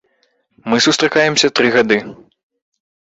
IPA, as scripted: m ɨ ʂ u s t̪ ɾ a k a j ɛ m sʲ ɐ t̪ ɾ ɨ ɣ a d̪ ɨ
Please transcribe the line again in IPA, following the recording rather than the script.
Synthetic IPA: m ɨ s u s t̪ ɾ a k a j ɛ m sʲ ɐ t̪ ɾ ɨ ɣ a d̪ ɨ